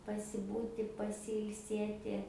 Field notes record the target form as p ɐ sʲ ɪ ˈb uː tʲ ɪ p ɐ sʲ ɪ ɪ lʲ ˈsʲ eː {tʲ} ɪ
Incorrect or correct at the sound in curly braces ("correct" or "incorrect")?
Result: correct